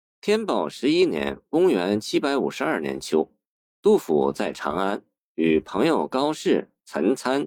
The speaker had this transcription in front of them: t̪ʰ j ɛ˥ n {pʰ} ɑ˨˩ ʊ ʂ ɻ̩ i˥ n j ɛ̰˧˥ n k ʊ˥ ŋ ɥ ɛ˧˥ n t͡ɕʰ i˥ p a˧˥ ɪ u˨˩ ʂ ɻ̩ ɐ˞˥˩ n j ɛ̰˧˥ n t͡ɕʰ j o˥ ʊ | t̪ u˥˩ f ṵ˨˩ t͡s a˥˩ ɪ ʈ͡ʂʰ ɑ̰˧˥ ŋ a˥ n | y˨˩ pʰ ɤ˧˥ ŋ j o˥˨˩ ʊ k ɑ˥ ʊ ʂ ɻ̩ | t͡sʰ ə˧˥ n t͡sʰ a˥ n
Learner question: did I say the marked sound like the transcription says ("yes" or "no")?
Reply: no